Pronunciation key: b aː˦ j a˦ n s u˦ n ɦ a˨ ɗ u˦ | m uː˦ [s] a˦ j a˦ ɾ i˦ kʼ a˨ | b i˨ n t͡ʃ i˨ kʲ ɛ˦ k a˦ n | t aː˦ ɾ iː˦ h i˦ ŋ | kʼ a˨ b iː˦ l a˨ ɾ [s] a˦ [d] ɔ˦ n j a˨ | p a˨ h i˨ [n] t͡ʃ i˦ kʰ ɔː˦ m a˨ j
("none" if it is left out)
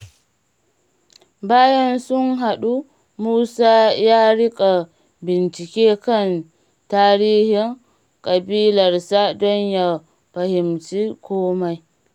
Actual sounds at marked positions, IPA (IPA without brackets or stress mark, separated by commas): s, s, d, m